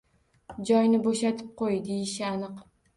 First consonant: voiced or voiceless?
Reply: voiced